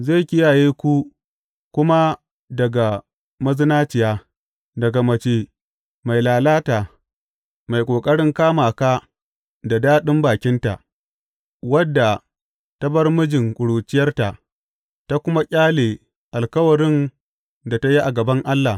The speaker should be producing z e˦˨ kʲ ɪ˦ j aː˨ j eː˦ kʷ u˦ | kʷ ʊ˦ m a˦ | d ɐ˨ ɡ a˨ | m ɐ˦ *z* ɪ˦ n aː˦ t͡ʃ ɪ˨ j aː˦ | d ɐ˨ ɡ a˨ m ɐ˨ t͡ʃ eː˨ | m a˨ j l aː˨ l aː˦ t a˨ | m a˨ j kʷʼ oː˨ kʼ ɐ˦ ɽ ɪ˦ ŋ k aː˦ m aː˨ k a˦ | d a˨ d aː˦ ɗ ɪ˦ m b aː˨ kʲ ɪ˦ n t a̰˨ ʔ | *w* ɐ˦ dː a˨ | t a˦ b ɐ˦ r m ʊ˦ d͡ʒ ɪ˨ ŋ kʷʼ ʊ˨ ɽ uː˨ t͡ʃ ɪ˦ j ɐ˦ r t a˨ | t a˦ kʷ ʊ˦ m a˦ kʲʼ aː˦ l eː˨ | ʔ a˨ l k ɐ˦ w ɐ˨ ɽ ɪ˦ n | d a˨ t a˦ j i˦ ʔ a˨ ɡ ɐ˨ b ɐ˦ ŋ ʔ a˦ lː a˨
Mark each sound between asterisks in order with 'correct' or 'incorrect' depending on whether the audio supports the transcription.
correct, correct

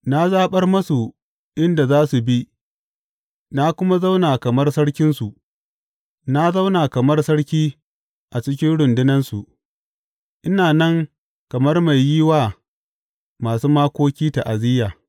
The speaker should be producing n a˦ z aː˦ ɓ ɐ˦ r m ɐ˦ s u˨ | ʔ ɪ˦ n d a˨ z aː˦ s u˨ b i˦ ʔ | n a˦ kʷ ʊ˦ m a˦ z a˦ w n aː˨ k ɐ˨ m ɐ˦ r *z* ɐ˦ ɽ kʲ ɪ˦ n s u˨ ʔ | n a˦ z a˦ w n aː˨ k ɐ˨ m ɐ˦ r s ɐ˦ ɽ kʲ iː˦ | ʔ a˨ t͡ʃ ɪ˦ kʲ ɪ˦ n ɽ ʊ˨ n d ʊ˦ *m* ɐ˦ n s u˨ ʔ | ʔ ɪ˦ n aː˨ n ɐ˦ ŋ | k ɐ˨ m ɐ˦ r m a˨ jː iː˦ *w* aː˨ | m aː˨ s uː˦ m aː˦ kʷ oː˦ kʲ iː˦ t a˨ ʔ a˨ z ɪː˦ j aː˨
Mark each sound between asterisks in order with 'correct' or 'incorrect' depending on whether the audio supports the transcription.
incorrect: s, incorrect: n, correct

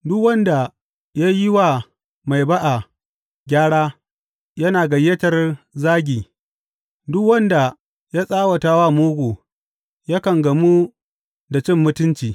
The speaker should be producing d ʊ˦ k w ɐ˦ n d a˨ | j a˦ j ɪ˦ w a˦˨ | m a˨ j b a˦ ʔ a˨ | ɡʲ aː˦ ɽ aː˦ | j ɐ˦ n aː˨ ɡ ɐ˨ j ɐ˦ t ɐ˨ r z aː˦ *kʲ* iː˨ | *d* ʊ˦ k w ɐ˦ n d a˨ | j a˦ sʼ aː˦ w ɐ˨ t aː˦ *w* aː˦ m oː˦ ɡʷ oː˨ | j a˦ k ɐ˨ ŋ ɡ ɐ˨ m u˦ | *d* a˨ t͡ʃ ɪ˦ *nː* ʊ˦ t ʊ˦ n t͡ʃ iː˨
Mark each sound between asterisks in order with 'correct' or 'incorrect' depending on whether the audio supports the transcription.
incorrect: ɡʲ, correct, correct, correct, incorrect: mː

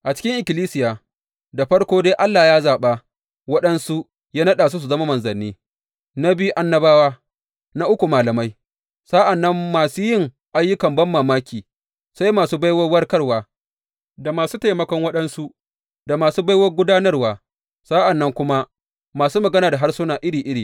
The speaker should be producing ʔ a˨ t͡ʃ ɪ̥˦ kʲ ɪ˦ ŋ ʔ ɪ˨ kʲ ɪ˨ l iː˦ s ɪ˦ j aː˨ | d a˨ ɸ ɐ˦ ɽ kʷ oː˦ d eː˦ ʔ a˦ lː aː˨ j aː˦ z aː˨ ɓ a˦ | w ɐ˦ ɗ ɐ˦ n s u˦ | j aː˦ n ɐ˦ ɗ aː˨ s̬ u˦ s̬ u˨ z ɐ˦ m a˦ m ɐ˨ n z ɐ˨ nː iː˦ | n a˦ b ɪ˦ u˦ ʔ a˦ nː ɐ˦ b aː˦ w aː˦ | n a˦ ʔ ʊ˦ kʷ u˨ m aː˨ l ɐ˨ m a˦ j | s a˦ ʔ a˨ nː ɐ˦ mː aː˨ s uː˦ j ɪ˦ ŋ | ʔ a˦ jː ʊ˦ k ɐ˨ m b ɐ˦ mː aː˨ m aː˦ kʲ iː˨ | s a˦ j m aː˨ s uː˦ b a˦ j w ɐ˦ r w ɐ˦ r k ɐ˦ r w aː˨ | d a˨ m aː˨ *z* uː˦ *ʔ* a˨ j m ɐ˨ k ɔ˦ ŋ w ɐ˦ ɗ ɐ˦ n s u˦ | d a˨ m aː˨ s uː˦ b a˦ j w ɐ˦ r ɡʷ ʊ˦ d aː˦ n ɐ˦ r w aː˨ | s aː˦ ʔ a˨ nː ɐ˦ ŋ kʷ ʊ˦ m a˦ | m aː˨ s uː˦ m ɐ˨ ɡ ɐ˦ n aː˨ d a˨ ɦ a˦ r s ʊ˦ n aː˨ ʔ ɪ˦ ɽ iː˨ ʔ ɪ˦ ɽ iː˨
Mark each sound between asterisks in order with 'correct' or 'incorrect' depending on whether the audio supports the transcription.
incorrect: s, incorrect: t

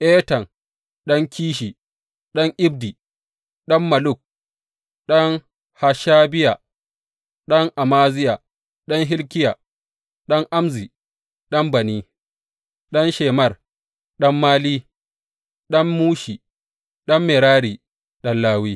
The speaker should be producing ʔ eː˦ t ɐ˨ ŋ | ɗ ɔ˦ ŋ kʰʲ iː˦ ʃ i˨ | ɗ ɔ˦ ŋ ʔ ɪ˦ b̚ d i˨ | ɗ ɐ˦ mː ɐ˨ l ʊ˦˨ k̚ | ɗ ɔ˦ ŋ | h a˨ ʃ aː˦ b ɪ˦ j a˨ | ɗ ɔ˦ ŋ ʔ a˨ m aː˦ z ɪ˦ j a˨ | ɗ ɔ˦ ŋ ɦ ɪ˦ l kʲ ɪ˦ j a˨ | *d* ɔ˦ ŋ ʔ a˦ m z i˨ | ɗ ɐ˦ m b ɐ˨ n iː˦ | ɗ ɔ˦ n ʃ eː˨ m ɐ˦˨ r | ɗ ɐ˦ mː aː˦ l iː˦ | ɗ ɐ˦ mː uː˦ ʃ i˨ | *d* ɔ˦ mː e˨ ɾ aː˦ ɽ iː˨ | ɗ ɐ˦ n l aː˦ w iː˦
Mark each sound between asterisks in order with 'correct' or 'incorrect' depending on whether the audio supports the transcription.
incorrect: ɗ, incorrect: ɗ

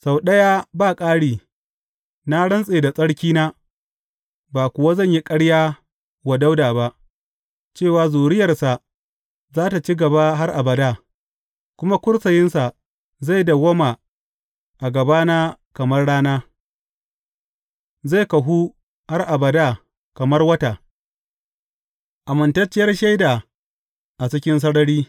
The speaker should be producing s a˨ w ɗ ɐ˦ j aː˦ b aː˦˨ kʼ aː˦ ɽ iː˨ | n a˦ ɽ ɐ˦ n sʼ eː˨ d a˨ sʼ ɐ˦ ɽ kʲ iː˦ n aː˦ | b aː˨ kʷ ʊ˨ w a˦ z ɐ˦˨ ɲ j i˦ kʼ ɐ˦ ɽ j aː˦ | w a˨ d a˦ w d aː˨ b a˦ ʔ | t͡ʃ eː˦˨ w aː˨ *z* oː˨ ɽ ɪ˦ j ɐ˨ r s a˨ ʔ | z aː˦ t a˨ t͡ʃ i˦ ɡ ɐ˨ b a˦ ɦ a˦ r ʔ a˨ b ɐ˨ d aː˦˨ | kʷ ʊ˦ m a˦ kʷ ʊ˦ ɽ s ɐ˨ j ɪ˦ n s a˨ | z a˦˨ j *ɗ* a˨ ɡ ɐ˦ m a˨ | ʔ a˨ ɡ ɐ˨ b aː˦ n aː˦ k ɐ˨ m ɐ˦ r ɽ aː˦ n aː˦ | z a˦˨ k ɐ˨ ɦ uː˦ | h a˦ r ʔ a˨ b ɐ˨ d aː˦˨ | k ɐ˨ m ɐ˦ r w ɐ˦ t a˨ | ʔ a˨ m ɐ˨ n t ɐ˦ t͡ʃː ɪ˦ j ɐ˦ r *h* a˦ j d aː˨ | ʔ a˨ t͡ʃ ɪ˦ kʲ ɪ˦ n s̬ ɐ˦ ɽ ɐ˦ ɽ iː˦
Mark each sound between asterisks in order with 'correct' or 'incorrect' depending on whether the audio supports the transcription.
correct, incorrect: d, incorrect: ʃ

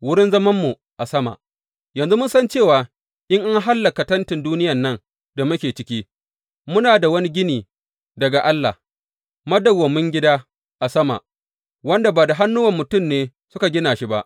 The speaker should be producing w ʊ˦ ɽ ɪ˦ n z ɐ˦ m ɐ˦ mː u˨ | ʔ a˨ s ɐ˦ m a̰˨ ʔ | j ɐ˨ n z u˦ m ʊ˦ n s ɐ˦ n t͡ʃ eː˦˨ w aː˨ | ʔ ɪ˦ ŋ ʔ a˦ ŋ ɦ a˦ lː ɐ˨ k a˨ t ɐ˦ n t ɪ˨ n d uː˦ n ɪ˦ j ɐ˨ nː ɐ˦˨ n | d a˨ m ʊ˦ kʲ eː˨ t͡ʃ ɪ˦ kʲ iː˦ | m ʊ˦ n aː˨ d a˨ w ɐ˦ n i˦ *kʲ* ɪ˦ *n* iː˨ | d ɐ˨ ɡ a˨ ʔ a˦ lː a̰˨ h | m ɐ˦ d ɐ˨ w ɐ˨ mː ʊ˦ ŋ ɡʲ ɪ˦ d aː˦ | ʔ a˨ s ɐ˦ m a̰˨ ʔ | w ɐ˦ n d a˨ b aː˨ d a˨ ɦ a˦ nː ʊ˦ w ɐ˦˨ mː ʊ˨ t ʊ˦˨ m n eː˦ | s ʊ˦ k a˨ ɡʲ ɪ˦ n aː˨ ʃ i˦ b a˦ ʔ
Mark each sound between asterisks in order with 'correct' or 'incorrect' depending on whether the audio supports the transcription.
incorrect: ɡʲ, correct

